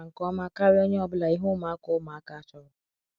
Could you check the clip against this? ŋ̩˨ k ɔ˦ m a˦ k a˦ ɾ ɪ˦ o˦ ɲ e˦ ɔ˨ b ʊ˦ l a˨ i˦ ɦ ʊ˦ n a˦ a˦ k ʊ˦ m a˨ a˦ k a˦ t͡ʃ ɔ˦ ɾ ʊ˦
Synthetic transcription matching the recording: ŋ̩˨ k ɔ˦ m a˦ k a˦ ɾ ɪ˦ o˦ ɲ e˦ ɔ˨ b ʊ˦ l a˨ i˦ ɦ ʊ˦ m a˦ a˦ k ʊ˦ m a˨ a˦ k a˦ t͡ʃ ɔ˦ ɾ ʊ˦